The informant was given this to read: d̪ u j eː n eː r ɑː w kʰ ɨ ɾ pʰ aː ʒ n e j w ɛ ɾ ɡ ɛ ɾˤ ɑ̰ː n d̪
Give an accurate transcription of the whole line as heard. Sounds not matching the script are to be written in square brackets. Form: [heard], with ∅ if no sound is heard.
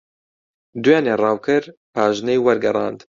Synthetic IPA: d̪ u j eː n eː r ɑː w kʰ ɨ ɾ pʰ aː ʒ n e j w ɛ ɾ ɡ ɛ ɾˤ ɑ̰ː n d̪